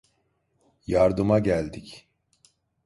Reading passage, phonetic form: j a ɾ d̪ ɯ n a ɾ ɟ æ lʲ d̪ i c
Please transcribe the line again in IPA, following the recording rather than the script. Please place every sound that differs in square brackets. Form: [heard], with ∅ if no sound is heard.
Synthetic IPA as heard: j a ɾ d̪ ɯ [m] a [∅] ɟ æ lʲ d̪ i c